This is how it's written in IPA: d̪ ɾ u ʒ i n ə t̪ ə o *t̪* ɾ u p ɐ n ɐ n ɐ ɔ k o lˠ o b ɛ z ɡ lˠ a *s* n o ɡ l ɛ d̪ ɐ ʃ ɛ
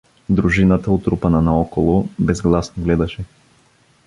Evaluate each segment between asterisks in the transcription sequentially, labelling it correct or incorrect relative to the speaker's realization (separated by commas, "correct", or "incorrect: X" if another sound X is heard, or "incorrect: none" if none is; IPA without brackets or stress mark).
correct, correct